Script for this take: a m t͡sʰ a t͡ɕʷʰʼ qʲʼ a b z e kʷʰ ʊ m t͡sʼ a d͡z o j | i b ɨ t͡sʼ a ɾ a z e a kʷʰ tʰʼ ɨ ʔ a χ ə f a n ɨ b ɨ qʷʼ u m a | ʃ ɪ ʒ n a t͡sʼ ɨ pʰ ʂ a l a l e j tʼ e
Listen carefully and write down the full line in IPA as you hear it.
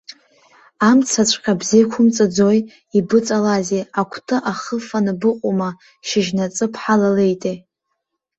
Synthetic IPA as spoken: a m t͡sʰ a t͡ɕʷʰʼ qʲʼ a b z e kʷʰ ʊ m t͡sʼ a d͡z o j | i b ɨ t͡sʼ a l a z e a kʷʰ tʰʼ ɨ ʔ a χ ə f a n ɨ b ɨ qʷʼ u m a | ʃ ɪ ʒ n a t͡sʼ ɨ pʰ ħ a l a l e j tʼ e